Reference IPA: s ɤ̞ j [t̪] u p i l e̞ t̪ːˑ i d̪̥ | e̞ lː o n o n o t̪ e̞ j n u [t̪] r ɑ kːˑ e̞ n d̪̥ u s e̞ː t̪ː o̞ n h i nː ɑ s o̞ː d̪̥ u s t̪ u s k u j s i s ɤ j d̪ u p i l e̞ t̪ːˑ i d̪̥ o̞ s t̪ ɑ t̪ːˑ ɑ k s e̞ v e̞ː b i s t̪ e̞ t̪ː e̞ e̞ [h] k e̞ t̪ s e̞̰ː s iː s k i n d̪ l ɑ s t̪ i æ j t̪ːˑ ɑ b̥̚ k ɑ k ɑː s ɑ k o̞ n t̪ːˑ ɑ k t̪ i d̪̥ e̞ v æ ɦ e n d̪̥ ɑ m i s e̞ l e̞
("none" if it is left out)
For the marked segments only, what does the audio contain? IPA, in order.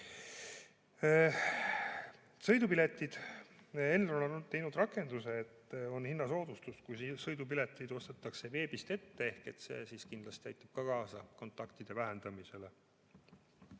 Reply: d̪, d̪, h

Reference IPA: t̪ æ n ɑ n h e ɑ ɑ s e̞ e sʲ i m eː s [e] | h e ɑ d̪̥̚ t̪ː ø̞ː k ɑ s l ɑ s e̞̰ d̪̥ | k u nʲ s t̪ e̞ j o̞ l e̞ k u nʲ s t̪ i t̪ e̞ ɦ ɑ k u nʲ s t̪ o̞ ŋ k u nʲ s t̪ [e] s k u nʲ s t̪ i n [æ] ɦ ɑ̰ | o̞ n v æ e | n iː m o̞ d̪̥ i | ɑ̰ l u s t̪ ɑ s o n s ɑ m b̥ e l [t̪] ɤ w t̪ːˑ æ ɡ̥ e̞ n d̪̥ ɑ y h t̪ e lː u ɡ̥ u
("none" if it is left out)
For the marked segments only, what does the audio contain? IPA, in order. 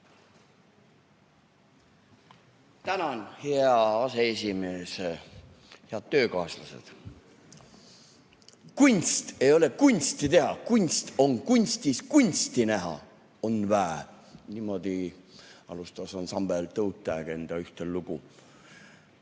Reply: e, i, æ, t̪

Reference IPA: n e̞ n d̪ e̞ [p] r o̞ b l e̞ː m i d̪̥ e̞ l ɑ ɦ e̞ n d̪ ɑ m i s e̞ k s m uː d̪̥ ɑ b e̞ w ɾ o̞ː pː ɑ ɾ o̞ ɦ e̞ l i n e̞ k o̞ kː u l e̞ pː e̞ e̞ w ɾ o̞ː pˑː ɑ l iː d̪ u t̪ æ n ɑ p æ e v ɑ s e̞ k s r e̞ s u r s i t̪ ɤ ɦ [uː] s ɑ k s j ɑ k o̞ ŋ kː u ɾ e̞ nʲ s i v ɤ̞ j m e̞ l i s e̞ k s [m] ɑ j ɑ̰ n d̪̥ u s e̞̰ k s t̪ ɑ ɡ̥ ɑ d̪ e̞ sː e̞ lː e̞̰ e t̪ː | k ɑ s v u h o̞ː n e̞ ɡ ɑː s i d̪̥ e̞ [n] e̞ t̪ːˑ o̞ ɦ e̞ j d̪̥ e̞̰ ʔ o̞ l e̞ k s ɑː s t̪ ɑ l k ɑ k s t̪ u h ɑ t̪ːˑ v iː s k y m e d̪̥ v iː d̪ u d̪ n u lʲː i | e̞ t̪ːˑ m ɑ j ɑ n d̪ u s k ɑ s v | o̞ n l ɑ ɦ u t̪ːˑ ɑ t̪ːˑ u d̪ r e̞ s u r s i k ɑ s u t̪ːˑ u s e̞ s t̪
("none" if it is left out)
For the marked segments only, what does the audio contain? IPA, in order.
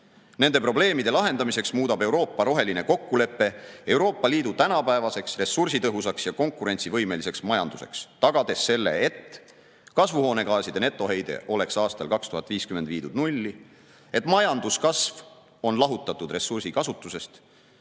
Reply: p, u, m, n

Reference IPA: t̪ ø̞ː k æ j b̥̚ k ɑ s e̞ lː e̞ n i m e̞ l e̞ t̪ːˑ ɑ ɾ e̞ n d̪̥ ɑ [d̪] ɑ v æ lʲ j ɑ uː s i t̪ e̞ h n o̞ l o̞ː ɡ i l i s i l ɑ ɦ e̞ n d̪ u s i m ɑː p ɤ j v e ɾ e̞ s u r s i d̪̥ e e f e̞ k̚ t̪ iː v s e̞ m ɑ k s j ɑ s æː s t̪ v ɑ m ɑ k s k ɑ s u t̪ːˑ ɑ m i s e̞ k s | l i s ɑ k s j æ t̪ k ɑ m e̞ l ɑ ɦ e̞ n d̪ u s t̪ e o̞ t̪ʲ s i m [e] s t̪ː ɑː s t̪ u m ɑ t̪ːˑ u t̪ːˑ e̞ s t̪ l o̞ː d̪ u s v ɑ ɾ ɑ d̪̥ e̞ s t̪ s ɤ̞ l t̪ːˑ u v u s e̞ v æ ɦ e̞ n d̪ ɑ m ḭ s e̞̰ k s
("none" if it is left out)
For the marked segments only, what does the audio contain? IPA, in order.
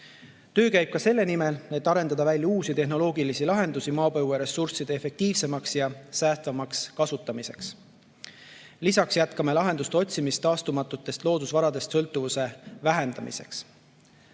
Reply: d̪, i

